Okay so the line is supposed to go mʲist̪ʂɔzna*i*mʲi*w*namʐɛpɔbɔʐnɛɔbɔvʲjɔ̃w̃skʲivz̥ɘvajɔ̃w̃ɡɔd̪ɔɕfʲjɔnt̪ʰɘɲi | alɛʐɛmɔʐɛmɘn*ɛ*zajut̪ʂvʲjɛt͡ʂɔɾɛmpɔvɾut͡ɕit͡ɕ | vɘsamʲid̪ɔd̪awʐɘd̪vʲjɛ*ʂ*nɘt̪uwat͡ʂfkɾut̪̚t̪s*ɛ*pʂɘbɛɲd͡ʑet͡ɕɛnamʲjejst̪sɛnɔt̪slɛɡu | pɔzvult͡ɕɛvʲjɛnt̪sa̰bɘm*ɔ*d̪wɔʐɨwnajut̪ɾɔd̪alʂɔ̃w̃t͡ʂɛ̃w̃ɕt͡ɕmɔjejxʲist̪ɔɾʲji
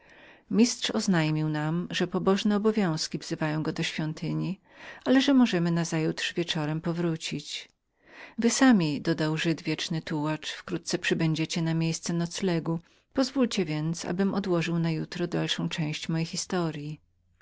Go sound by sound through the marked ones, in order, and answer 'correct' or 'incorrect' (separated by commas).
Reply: incorrect, correct, incorrect, incorrect, correct, correct